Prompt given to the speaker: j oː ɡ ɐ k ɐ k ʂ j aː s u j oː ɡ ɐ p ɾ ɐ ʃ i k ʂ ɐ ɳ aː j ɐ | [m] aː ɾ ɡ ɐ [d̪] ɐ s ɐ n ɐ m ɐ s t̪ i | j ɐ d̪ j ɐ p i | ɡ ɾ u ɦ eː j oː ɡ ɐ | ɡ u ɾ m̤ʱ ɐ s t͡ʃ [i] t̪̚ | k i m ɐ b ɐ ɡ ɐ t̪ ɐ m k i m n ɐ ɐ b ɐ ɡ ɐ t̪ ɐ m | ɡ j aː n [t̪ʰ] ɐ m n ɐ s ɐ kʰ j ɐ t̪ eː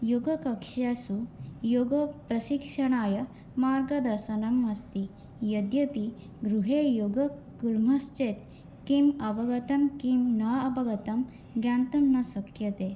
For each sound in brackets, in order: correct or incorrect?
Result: correct, correct, incorrect: e, incorrect: t̪

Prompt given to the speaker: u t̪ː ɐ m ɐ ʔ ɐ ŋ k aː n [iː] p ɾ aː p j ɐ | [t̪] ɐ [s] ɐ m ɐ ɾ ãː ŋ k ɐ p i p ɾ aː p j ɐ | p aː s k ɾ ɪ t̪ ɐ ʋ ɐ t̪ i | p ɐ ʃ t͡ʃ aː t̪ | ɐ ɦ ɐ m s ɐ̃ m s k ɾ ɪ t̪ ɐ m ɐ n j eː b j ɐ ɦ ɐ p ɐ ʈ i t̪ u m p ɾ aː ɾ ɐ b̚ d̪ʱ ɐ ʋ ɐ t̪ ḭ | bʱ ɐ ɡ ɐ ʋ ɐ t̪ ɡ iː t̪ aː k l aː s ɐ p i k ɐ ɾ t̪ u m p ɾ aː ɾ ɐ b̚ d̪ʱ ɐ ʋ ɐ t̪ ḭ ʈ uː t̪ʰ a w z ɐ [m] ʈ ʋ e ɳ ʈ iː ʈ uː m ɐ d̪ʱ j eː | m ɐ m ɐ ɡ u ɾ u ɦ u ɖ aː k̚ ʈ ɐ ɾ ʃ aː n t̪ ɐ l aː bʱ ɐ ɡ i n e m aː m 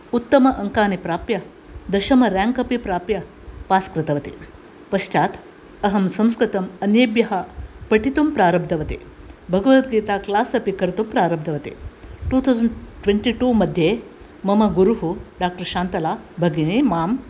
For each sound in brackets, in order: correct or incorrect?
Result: incorrect: i, incorrect: d̪, incorrect: ʃ, incorrect: ɳ

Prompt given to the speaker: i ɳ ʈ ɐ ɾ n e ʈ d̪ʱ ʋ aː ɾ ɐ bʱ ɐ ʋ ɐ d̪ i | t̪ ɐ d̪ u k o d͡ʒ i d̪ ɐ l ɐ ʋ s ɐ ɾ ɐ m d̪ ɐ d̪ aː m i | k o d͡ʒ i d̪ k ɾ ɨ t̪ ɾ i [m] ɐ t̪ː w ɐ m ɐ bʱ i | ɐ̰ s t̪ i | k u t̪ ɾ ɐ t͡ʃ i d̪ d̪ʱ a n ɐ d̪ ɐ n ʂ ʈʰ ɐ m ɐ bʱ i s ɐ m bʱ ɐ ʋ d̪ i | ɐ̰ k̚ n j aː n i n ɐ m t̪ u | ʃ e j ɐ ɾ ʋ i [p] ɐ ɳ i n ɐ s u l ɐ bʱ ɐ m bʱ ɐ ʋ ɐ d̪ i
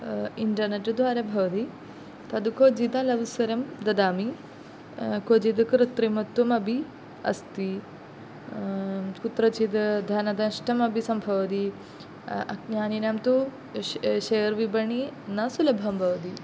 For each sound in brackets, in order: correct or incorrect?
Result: correct, incorrect: b

